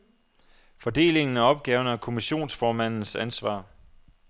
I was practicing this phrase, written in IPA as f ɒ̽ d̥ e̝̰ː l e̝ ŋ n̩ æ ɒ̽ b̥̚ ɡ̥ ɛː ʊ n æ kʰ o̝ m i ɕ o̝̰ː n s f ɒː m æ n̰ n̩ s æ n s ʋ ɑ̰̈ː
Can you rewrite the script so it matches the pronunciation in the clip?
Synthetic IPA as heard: f ɒ̽ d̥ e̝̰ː l e̝ ŋ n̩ æ ɒ̽ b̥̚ ɡ̥ ɛː ʊ n æ kʰ o̝ m i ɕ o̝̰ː n s f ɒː m æ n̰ n̩ s æ n s ʋ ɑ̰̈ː